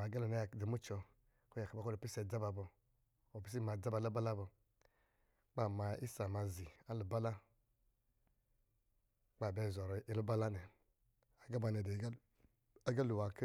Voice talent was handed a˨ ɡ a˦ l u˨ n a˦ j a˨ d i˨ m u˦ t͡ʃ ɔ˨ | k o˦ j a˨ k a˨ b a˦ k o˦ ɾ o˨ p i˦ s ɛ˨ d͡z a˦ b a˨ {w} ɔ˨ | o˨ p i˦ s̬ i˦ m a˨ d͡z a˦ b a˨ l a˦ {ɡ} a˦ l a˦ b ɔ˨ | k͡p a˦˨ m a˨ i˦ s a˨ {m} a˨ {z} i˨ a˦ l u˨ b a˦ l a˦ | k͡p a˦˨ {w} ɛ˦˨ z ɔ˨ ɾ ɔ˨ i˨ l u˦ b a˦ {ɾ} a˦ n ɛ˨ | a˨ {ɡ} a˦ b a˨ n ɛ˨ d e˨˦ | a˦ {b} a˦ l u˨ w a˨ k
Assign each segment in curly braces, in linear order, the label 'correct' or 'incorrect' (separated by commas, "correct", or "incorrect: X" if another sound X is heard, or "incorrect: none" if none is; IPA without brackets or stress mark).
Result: incorrect: b, incorrect: b, correct, correct, incorrect: b, incorrect: l, correct, incorrect: ɡ